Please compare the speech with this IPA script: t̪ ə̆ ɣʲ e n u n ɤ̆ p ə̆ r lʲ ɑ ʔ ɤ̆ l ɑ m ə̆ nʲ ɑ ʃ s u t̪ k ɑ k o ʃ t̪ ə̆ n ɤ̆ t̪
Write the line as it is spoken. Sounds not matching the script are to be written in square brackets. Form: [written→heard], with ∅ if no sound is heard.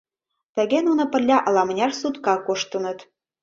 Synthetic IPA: t̪ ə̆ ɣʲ e n u n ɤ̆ p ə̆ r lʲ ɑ ʔ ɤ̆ l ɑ m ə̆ nʲ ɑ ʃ s u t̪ k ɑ k o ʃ t̪ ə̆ n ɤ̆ t̪